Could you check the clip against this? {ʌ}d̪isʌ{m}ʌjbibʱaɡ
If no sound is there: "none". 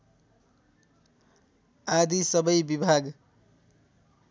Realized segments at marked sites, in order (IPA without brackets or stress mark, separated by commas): a, b